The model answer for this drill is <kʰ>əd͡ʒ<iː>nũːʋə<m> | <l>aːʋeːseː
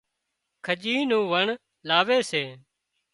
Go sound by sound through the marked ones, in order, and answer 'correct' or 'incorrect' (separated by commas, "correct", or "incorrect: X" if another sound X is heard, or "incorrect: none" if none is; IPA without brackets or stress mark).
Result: correct, correct, incorrect: ɳ, correct